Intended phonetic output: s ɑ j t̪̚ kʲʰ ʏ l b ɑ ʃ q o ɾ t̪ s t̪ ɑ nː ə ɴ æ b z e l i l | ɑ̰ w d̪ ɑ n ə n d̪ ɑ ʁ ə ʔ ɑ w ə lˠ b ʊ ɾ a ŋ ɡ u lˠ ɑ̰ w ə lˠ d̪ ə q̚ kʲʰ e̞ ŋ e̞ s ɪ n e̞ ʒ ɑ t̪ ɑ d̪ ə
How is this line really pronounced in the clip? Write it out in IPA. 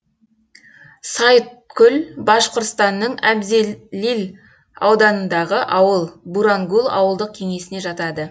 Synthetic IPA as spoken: s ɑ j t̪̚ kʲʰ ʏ l b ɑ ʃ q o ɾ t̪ s t̪ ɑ nː ə ɴ æ b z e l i l | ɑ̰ w d̪ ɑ n ə n d̪ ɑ ʁ ə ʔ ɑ w ə lˠ b u ɾ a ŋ ɡ u lˠ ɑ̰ w ə lˠ d̪ ə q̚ kʲʰ e̞ ŋ e̞ s ɪ n e̞ ʒ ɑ t̪ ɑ d̪ ə